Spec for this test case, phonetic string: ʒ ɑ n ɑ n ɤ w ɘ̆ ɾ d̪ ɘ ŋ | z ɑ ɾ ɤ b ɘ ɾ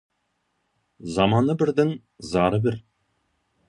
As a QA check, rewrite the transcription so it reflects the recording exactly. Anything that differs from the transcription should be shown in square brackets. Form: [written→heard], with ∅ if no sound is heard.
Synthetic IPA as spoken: [ʒ→z] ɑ [n→m] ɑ n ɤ [w→b] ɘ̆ ɾ d̪ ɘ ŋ | z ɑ ɾ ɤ b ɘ ɾ